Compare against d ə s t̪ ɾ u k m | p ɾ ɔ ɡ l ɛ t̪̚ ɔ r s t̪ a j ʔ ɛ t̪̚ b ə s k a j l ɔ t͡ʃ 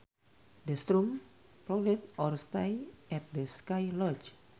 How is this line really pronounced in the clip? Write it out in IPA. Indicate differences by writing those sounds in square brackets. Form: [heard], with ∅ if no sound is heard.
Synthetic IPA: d ə s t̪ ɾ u [∅] m | p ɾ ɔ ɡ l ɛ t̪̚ ɔ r s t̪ a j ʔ ɛ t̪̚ [d] ə s k a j l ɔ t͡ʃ